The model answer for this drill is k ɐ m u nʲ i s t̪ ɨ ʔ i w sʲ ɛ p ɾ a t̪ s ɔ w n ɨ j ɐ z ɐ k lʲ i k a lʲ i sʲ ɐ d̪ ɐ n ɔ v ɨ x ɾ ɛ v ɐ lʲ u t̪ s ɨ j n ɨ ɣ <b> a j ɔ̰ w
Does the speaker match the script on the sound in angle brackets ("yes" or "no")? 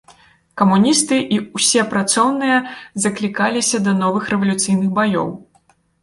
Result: yes